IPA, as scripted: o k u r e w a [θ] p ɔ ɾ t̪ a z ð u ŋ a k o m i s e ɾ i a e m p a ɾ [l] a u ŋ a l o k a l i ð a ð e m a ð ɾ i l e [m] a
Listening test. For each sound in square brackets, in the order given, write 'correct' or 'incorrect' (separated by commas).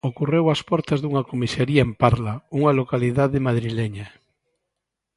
incorrect, correct, incorrect